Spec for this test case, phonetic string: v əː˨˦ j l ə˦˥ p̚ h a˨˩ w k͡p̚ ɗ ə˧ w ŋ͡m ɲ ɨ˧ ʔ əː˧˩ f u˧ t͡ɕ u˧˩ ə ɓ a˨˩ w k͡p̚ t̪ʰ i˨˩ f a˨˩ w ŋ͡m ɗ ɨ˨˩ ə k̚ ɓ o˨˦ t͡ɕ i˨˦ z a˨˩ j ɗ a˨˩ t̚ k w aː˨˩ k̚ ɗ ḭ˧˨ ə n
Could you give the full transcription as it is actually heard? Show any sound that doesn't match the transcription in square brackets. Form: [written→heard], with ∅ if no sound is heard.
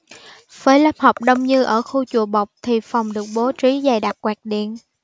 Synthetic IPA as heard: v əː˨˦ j l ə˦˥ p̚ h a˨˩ w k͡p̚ ɗ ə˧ w ŋ͡m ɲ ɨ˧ ʔ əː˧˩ [f→x] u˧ t͡ɕ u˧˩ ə ɓ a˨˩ w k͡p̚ t̪ʰ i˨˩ f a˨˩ w ŋ͡m ɗ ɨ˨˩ ə k̚ ɓ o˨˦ t͡ɕ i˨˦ z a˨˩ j ɗ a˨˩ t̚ k w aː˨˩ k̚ ɗ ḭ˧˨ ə n